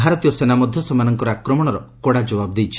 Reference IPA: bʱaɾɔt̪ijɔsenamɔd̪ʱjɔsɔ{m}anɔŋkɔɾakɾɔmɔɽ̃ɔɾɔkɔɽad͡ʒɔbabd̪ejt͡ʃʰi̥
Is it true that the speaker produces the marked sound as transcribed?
yes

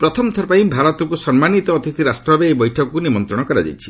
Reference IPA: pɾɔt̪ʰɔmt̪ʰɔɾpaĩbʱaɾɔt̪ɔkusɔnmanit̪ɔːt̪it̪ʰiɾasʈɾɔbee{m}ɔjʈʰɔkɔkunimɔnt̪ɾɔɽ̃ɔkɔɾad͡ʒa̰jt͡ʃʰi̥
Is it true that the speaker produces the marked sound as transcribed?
no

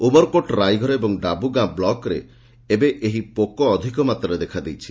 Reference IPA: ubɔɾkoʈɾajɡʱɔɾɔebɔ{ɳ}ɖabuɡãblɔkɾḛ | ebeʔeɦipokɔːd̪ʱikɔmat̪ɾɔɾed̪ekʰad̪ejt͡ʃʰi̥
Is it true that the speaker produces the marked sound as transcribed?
no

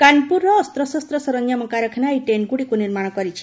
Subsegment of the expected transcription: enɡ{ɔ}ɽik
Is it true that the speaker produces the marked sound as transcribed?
no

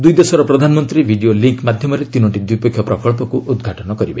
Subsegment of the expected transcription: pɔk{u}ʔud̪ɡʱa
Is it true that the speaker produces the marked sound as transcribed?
yes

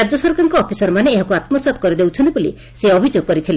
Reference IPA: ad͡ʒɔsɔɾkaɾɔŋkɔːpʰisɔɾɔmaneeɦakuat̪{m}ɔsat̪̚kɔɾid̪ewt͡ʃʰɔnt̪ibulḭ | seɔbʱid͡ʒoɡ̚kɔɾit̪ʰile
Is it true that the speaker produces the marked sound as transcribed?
yes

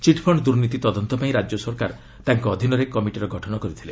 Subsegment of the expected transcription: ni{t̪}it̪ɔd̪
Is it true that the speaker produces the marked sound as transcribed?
yes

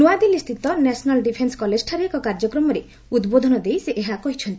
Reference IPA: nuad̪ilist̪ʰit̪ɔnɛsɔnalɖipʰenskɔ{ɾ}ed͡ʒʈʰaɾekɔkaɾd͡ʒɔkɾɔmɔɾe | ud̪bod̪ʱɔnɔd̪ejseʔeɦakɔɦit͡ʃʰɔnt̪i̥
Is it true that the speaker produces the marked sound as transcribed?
no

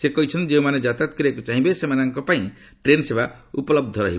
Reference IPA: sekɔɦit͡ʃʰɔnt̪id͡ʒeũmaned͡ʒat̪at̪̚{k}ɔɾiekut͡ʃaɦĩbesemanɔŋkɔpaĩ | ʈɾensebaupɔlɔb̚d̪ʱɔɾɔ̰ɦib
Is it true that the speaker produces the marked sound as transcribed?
yes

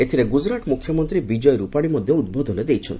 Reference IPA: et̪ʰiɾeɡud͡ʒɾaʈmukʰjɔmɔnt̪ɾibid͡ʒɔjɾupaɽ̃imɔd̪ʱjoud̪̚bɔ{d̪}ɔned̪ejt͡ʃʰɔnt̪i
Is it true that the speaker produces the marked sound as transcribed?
yes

